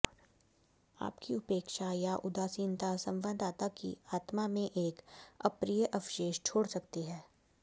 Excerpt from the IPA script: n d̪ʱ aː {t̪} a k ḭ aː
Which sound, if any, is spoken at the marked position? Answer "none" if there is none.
t̪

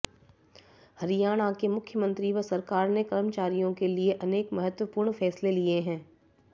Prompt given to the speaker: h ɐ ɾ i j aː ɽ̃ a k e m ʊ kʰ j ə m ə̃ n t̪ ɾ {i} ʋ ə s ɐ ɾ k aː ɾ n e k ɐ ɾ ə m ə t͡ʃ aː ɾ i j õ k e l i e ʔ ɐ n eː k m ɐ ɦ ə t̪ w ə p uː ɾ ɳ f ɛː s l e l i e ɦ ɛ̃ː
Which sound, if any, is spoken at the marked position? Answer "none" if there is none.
i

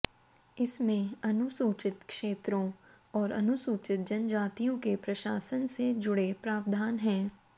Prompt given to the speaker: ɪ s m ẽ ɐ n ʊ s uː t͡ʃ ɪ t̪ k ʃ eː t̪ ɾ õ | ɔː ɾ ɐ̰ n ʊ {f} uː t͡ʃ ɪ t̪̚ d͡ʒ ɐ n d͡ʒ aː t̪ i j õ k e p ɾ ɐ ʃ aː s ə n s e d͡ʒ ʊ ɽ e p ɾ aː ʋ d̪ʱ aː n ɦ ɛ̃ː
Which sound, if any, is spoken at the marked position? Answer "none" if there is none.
s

